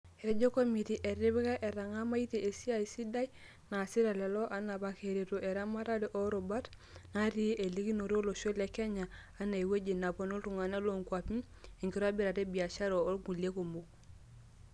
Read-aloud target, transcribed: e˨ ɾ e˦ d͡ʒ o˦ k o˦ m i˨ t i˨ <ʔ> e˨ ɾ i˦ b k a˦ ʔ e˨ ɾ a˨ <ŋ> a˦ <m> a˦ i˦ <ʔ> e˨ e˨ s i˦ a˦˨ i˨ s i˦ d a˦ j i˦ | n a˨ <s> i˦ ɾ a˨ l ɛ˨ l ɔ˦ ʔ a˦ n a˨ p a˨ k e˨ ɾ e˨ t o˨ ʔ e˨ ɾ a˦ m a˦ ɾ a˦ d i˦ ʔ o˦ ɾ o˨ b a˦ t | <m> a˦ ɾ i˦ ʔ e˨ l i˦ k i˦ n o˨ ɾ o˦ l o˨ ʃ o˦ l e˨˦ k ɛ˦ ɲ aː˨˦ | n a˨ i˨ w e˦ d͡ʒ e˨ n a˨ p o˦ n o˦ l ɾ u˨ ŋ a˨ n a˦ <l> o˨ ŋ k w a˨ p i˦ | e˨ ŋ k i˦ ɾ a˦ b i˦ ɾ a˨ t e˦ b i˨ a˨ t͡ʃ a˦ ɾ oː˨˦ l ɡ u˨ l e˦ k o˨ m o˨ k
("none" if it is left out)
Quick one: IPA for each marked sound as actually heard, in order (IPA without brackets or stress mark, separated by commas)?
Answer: ʔ, ŋ, m, t, s, n, l